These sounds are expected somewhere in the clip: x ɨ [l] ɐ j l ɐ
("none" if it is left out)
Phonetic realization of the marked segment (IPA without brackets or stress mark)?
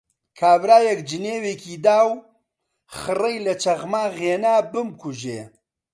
r